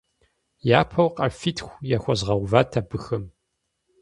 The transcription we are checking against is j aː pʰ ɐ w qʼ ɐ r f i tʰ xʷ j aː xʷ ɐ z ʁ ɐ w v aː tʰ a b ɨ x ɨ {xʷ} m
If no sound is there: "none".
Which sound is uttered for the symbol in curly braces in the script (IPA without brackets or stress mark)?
none